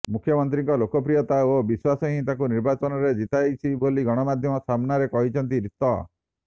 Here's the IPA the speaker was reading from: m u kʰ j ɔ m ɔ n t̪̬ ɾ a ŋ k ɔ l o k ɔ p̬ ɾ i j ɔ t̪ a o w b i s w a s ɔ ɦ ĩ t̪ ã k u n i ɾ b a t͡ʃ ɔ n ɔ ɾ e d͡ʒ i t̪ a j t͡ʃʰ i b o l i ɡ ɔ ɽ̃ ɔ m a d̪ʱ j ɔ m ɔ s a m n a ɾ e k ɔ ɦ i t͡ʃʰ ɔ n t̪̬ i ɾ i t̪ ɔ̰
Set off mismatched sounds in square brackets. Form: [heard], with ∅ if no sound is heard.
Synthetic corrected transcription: m u kʰ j ɔ m ɔ n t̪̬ ɾ [i] ŋ k ɔ l o k ɔ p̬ ɾ i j ɔ t̪ a o [∅] b i s w a s ɔ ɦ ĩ t̪ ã k u n i ɾ b a t͡ʃ ɔ n ɔ ɾ e d͡ʒ i t̪ a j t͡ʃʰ i b o l i ɡ ɔ ɽ̃ ɔ m a d̪ʱ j ɔ m ɔ s a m n a ɾ e k ɔ ɦ i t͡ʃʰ ɔ n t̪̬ i ɾ i t̪ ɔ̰